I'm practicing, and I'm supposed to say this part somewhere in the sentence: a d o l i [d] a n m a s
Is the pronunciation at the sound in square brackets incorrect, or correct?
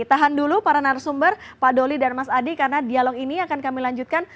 correct